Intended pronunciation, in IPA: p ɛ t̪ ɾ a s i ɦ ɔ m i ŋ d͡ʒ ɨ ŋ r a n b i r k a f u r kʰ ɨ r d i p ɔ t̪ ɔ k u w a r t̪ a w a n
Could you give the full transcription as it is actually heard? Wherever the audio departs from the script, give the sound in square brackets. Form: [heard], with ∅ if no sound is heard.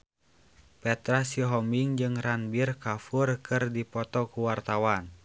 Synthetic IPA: p ɛ t̪ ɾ a s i ɦ ɔ m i ŋ d͡ʒ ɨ ŋ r a n b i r k a f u r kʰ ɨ r d i p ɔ t̪ ɔ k u w a r t̪ a w a n